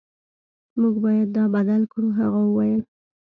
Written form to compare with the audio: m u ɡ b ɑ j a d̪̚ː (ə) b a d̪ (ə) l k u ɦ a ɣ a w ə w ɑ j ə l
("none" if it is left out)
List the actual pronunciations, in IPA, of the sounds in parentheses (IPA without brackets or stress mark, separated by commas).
ɑ, a